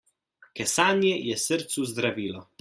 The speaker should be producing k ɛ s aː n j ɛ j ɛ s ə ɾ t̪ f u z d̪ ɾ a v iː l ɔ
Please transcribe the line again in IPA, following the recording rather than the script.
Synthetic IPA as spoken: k ɛ s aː n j ɛ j ɛ s ə ɾ t̪ s u z d̪ ɾ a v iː l ɔ